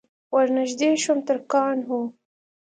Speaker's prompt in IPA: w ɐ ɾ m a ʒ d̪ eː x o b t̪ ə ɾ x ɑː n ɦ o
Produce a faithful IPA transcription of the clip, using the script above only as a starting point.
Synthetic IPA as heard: w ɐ ɾ n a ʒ d̪ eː ʃ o m t̪ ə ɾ k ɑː n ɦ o